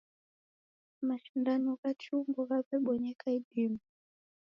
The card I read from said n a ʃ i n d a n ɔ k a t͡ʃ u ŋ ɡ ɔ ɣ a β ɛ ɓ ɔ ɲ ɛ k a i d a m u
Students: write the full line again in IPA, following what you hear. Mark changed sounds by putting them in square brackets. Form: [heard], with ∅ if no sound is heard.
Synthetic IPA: [m] a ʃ i n d a n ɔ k a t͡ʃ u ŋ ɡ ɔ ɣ a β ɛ ɓ ɔ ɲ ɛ k a i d [i] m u